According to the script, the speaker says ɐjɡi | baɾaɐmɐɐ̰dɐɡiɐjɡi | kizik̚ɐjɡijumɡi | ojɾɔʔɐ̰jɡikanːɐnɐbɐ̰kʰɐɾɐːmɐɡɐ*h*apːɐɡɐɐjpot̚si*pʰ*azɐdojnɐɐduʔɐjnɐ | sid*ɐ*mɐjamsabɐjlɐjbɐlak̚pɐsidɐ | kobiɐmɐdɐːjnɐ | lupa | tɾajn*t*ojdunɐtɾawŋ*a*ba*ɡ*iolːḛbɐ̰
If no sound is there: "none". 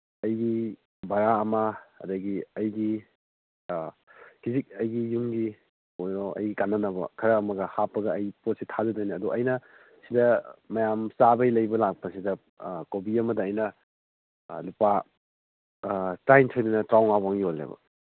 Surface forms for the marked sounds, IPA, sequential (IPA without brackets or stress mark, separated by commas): h, tʰ, ɐ, tʰ, a, ŋ